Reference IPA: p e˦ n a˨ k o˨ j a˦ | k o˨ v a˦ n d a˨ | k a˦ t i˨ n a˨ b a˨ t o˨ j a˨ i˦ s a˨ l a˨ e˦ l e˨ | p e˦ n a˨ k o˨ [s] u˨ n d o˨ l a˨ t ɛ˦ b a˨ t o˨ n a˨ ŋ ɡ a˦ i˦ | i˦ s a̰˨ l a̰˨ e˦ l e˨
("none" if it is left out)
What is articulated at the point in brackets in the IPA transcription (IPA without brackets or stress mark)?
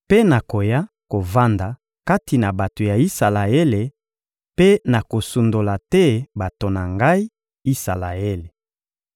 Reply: s